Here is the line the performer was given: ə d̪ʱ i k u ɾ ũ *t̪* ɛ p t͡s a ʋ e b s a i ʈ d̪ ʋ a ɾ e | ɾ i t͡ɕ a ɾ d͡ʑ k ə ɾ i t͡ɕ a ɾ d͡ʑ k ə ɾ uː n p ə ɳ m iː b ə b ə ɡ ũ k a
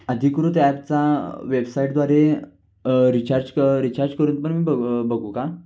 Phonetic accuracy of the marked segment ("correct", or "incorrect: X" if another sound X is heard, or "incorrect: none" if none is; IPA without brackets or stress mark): correct